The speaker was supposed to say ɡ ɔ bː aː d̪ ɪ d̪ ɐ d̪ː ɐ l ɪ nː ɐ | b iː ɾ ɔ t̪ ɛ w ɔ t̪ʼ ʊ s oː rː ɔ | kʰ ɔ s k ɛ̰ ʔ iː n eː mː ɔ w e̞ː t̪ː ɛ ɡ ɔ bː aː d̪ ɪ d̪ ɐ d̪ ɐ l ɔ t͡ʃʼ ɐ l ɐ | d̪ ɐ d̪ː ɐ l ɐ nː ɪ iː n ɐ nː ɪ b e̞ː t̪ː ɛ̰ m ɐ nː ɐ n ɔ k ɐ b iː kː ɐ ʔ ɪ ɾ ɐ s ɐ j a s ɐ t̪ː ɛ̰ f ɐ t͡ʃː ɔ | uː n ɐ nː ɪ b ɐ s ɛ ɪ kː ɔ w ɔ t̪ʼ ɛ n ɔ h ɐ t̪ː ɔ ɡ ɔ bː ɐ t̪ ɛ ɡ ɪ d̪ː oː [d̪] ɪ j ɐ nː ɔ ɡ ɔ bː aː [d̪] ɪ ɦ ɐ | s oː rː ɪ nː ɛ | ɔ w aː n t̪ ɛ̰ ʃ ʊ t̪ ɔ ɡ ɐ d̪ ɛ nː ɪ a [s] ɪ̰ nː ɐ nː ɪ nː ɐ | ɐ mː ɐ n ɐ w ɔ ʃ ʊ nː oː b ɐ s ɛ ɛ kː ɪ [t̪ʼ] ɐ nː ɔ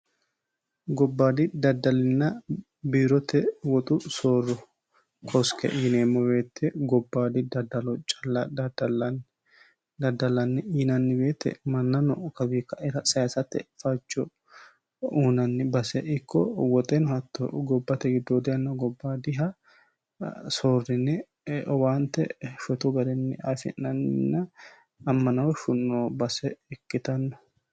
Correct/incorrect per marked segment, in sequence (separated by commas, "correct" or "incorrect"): correct, correct, incorrect, incorrect